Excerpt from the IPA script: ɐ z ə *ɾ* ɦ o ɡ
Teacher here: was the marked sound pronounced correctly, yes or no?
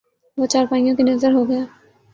yes